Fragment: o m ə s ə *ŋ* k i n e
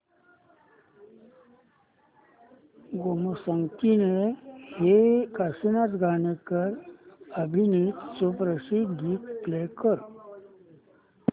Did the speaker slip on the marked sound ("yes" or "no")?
no